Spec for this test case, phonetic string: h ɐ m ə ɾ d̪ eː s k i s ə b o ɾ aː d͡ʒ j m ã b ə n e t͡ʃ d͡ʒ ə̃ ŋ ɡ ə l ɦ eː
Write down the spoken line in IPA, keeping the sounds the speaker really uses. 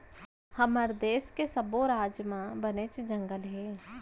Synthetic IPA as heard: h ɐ m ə ɾ d̪ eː s k e s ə b o ɾ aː d͡ʒ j m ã b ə n e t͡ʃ d͡ʒ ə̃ ŋ ɡ ə l ɦ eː